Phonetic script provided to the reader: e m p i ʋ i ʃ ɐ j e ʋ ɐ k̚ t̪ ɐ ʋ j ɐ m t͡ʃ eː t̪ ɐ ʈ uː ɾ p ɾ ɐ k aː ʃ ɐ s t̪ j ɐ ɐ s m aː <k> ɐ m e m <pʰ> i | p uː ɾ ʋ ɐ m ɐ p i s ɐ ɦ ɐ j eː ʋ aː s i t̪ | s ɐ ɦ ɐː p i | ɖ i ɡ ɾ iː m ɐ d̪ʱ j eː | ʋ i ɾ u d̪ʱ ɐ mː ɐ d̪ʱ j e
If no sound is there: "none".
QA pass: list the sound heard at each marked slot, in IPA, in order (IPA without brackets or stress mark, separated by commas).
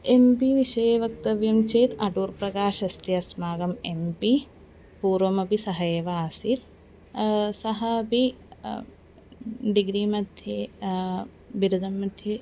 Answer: ɡ, p